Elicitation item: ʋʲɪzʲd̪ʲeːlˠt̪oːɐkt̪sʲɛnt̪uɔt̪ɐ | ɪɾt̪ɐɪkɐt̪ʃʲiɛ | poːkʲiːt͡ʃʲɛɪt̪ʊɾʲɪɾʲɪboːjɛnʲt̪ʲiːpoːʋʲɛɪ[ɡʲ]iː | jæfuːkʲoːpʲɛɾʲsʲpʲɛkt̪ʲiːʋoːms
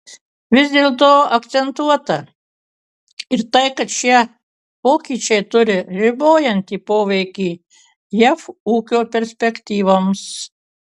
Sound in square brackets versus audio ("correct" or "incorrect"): incorrect